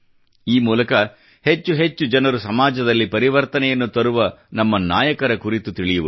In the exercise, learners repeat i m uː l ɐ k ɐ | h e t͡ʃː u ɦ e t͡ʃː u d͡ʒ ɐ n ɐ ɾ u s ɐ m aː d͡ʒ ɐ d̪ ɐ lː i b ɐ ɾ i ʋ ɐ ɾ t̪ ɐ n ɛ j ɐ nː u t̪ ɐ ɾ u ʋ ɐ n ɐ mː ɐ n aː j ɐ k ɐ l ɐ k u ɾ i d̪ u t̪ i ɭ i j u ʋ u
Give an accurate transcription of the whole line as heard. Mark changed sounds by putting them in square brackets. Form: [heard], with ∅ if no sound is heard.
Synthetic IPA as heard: [iː] m uː l ɐ k ɐ | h e t͡ʃː u ɦ e t͡ʃː u d͡ʒ ɐ n ɐ ɾ u s ɐ m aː d͡ʒ ɐ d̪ ɐ lː i [p] ɐ ɾ i ʋ ɐ ɾ t̪ ɐ n ɛ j ɐ nː u t̪ ɐ ɾ u ʋ ɐ n ɐ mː ɐ n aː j ɐ k ɐ [ɾ] ɐ k u ɾ i [t̪] u t̪ i ɭ i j u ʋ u

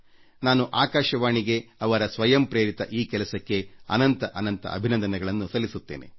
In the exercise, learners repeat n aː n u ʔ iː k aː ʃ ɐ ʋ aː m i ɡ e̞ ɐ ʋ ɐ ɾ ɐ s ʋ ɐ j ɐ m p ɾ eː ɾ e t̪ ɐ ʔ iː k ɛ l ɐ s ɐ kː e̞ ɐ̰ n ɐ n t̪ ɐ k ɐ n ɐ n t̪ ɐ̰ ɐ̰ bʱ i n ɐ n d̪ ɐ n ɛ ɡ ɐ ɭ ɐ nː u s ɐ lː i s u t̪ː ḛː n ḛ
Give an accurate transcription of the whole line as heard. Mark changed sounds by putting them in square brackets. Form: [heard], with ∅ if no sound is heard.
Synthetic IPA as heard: n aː n u ʔ [aː] k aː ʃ ɐ ʋ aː [ɳ] i ɡ e̞ ɐ ʋ ɐ ɾ ɐ s ʋ ɐ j ɐ m p ɾ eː ɾ [i] t̪ ɐ ʔ iː k ɛ l ɐ s ɐ kː e̞ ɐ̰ n ɐ n t̪ ɐ [ʔ] ɐ n ɐ n t̪ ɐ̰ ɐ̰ bʱ i n ɐ n d̪ ɐ n ɛ ɡ ɐ ɭ ɐ nː u s ɐ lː i s u t̪ː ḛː n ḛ

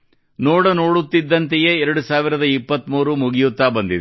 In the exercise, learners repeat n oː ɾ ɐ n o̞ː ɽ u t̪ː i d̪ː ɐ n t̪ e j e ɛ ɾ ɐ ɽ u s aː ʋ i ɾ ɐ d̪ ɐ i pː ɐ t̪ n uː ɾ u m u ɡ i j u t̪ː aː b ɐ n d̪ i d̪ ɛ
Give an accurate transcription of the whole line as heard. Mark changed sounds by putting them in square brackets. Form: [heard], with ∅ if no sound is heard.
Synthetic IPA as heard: n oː [ɽ] ɐ n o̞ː ɽ u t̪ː i d̪ː ɐ n t̪ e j e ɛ ɾ ɐ ɽ u s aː ʋ i ɾ ɐ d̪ ɐ i pː ɐ t̪ [m] uː ɾ u m u ɡ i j u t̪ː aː b ɐ n d̪ i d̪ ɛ

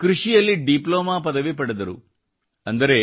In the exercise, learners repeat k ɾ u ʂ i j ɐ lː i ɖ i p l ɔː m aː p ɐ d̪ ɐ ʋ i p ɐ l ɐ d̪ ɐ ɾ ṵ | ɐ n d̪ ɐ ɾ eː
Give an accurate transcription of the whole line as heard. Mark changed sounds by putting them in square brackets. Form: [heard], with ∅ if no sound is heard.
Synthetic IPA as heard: k ɾ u ʂ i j ɐ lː i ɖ i p l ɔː m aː p ɐ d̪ ɐ ʋ i p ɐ [ɽ] ɐ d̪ ɐ ɾ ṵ | ɐ n d̪ ɐ ɾ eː

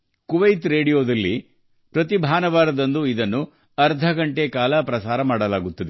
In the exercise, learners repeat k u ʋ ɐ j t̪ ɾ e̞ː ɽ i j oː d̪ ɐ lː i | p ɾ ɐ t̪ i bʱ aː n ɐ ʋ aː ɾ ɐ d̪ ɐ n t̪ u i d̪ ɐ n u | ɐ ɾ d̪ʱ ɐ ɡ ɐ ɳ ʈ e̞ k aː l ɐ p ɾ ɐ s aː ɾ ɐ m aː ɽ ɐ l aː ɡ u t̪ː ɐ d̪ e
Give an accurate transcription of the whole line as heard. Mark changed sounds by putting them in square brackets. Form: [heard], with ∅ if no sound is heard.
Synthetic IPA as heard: k u ʋ ɐ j t̪ ɾ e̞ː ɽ i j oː d̪ ɐ lː i | p ɾ ɐ t̪ i bʱ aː n ɐ ʋ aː ɾ ɐ d̪ ɐ n [d̪] u i d̪ ɐ [nː] u | ɐ ɾ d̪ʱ ɐ ɡ ɐ ɳ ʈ e̞ k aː l ɐ p ɾ ɐ s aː ɾ ɐ m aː ɽ ɐ l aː ɡ u t̪ː ɐ d̪ e

